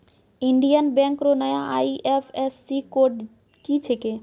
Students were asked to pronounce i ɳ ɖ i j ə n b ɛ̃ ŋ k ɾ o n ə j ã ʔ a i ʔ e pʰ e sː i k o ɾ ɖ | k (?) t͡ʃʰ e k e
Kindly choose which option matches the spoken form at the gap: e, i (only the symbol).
i